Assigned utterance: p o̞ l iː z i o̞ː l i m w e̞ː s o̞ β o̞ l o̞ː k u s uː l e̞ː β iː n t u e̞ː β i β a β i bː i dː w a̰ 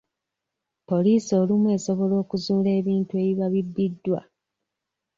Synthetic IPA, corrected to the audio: p o̞ l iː s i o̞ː l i m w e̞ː s o̞ β o̞ l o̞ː k u z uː l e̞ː β iː n t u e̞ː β i β a β i bː i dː w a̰